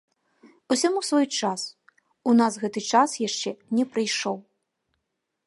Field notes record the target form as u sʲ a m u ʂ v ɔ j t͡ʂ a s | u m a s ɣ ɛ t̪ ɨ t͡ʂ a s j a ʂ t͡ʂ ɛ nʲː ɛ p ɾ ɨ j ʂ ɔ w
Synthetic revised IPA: u sʲ a m u s v ɔ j t͡ʂ a s | u n a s ɣ ɛ t̪ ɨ t͡ʂ a s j a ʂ t͡ʂ ɛ nʲ ɛ p ɾ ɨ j ʂ ɔ w